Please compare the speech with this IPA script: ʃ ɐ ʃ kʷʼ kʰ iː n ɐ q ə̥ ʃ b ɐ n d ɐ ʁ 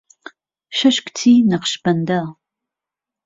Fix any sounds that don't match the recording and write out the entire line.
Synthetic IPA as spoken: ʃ ɐ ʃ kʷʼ tʰ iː n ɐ q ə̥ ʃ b ɐ n d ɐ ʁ